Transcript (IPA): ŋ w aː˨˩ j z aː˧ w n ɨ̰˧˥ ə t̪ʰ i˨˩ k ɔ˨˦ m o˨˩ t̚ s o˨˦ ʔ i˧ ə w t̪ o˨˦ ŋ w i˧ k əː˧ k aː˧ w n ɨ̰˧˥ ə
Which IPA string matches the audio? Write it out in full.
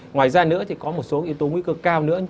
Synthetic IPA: ŋ w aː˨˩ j z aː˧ n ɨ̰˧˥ ə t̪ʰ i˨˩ k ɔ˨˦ m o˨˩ t̚ s o˨˦ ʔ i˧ ə w t̪ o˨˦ ŋ w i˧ k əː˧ k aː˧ w n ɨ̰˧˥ ə

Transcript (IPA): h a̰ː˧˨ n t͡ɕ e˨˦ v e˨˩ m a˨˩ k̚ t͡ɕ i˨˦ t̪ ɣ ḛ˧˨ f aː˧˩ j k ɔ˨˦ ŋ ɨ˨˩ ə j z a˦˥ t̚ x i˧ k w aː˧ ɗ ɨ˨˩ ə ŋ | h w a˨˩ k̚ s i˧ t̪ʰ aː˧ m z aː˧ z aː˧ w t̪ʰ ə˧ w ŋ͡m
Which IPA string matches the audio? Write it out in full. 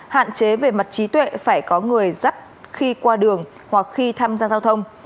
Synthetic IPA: h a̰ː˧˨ n t͡ɕ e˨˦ v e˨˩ m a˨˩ t̚ t͡ɕ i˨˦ t̪ w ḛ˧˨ f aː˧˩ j k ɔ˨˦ ŋ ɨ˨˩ ə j z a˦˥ t̚ x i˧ k w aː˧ ɗ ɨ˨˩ ə ŋ | h w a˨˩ k̚ x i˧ t̪ʰ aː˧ m z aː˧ z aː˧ w t̪ʰ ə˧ w ŋ͡m

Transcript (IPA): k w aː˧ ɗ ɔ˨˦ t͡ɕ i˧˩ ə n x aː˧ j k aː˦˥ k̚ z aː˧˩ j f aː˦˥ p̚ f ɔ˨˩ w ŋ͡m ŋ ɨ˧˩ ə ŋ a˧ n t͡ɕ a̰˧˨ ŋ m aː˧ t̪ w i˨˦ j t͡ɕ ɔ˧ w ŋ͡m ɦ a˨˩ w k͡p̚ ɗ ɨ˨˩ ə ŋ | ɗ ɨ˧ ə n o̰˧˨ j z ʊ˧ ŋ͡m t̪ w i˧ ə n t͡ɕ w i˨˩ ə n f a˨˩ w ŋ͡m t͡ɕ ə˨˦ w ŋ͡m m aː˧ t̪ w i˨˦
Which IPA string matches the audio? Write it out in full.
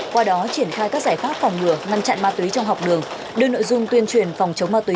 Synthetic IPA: k w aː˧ ɗ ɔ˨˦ t͡ɕ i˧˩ ə n x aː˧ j k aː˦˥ k̚ z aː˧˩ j f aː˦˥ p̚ f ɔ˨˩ w ŋ͡m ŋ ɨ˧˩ ə ŋ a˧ n t͡ɕ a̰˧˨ n m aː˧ t̪ w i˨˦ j t͡ɕ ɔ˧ w ŋ͡m ɦ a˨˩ w k͡p̚ ɗ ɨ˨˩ ə ŋ | ɗ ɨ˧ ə n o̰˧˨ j z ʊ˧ ŋ͡m t̪ w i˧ ə n t͡ɕ w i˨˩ ə n f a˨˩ w ŋ͡m t͡ɕ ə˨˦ w ŋ͡m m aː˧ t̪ w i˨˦

